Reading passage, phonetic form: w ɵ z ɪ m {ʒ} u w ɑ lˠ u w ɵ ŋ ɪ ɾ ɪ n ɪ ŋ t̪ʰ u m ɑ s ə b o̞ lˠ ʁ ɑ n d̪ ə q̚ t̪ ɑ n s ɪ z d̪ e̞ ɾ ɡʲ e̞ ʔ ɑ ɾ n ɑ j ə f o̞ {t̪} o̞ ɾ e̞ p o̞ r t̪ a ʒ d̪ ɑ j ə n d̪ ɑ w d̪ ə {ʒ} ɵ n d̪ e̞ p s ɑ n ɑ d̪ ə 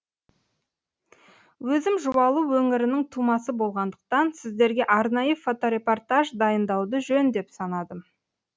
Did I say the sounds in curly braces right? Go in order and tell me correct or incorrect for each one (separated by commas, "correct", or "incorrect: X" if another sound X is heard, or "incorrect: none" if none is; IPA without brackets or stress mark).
correct, correct, correct